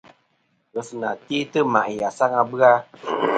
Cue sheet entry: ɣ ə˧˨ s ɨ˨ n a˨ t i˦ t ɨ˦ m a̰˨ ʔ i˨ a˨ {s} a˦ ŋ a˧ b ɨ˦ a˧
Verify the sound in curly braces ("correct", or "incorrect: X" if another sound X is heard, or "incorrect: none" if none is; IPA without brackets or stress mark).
correct